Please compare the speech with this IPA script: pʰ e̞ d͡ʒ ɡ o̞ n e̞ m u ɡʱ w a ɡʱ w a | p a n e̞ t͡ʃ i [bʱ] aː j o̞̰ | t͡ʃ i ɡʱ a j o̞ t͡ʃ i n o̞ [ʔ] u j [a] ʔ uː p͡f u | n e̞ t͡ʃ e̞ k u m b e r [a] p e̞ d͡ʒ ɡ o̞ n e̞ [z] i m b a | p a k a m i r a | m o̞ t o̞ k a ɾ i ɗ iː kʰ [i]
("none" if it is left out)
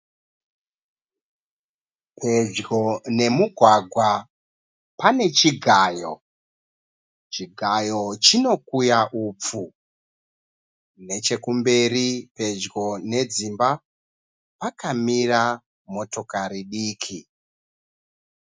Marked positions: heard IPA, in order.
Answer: ɡʱ, k, a, i, d͡z, i

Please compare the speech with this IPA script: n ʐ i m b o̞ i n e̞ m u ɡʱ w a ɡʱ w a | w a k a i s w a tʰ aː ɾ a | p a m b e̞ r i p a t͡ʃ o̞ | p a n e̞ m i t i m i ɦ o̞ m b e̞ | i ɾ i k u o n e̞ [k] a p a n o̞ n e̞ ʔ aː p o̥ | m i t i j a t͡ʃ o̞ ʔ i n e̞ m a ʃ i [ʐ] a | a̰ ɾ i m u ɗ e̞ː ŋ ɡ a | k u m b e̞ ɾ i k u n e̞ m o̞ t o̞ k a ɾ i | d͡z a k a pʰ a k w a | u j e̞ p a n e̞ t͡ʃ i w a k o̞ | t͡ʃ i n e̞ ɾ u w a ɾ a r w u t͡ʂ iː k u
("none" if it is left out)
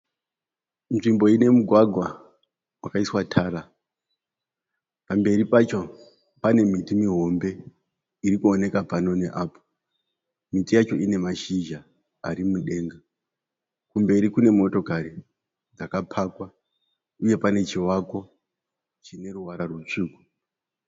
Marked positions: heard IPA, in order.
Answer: k, ʒ

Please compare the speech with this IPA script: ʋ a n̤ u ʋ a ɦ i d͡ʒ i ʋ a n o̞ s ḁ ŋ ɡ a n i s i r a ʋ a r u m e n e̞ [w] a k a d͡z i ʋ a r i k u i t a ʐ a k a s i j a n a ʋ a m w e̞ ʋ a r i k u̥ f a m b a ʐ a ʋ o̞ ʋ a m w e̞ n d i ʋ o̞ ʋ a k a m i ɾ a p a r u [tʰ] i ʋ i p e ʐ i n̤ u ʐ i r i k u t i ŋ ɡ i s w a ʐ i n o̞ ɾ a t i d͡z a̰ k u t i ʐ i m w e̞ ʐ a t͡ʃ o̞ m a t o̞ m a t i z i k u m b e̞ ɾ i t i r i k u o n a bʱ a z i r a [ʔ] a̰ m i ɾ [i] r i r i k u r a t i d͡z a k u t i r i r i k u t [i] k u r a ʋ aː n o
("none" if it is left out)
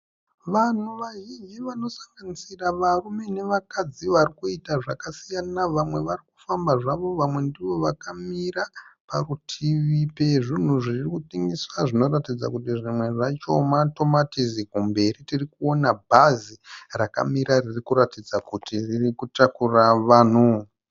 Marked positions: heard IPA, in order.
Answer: ʋ, tʰ, k, a, a

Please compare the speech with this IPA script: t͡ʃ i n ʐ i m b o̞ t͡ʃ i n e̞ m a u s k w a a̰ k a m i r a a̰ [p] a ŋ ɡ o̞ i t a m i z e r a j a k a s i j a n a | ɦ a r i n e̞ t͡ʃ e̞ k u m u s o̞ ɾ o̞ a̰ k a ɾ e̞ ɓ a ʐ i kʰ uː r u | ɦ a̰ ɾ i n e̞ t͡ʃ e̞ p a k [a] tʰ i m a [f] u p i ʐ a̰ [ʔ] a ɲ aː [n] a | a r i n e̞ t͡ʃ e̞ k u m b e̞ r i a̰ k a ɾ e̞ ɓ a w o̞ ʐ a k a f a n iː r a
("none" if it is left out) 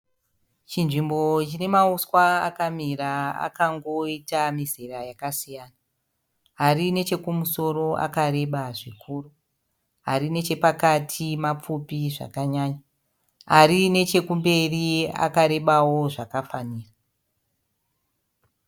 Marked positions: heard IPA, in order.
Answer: k, a, p͡f, k, ɲ

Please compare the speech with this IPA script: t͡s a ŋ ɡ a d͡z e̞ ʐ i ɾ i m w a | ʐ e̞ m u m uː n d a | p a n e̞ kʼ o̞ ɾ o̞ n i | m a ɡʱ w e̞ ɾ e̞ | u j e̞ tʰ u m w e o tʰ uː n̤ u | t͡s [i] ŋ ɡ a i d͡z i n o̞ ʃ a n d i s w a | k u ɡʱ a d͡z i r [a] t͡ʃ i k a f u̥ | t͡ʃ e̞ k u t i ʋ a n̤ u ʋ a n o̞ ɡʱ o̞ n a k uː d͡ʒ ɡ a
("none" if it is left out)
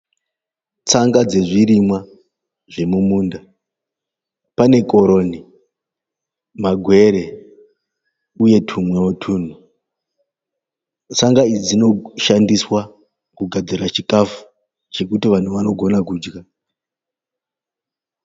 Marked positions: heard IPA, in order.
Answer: a, a

